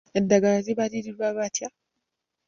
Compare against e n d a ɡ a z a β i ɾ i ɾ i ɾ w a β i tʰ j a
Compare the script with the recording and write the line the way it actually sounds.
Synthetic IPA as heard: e n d a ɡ a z i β a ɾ i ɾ i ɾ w a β a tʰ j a